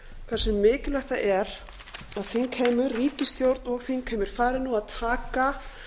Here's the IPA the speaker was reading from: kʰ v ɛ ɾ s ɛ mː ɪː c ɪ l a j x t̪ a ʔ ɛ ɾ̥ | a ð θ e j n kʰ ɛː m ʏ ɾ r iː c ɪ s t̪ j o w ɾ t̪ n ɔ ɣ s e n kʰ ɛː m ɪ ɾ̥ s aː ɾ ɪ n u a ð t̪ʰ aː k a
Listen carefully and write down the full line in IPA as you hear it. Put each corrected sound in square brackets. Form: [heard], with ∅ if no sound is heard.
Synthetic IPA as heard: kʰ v ɛ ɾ s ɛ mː ɪː c ɪ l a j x t̪ a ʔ ɛ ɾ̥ | a ð θ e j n kʰ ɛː m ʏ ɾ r iː c ɪ s t̪ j o w ɾ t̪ n ɔ ɣ [θ] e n kʰ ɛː m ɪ ɾ̥ [f] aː ɾ ɪ n u a ð t̪ʰ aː k a